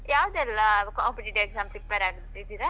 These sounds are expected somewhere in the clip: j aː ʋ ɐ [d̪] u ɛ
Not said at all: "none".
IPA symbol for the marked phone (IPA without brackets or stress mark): d̪